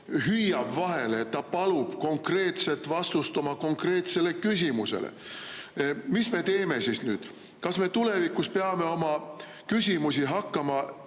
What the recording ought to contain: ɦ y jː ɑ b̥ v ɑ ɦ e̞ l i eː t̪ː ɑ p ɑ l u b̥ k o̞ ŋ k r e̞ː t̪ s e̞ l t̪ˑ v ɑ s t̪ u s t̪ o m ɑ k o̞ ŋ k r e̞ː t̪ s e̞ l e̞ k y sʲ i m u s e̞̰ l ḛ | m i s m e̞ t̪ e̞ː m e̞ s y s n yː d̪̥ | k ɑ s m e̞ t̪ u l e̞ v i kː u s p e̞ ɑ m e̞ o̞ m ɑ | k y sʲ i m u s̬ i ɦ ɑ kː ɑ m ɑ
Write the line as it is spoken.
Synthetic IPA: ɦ y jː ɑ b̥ v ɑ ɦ e̞ l e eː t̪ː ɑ p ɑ l u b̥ k o̞ ŋ k r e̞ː t̪ s e̞ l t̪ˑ v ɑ s t̪ u s t̪ o m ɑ k o̞ ŋ k r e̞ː t̪ s e̞ l e̞ k y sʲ i m u s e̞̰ l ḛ | m i s m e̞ t̪ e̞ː m e̞ s i s n yː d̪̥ | k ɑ s m e̞ t̪ u l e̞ v i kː u s p e̞ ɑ m e̞ o̞ m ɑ | k y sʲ i m u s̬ i ɦ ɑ kː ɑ m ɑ